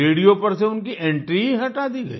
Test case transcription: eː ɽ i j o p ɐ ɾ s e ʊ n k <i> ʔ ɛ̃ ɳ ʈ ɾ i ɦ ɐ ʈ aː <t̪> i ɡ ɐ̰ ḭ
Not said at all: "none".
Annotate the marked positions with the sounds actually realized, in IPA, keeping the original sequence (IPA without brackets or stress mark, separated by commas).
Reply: i, d̪